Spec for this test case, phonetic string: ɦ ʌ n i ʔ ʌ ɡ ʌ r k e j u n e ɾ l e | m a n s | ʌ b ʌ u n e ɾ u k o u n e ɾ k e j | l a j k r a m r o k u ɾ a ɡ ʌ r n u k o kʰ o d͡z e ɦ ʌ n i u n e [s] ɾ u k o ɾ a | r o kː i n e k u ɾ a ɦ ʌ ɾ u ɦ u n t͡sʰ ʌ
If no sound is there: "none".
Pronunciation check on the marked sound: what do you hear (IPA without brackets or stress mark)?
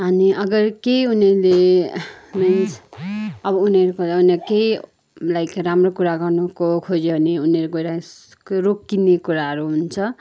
none